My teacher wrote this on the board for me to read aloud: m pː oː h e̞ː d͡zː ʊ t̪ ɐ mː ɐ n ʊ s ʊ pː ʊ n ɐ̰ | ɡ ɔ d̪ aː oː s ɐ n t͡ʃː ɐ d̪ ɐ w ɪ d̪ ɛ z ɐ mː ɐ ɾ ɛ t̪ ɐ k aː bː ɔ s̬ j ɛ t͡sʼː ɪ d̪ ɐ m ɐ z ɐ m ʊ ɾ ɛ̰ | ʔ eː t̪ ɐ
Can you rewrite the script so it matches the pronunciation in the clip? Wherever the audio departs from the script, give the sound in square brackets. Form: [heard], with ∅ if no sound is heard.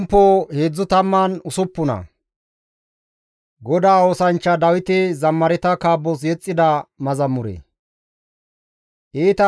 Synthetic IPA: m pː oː h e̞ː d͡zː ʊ t̪ ɐ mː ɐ n ʊ s ʊ pː ʊ n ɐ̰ | ɡ ɔ d̪ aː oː s ɐ n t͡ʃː ɐ d̪ ɐ w ɪ [t̪] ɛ z ɐ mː ɐ ɾ ɛ t̪ ɐ k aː bː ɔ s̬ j ɛ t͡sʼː ɪ d̪ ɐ m ɐ z ɐ m ʊ ɾ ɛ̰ | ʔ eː t̪ ɐ